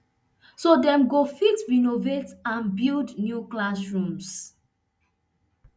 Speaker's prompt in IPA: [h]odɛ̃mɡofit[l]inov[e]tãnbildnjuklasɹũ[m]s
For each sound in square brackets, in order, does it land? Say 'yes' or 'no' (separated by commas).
no, no, yes, yes